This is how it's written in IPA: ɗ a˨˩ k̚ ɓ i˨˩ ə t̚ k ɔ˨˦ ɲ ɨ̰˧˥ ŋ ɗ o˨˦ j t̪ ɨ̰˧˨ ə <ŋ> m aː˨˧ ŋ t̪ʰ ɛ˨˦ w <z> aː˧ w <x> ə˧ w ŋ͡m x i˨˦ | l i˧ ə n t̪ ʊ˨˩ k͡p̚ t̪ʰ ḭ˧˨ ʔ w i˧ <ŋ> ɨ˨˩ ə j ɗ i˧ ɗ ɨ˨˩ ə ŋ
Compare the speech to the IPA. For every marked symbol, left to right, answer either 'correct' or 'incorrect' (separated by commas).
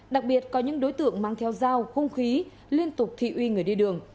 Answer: correct, correct, correct, correct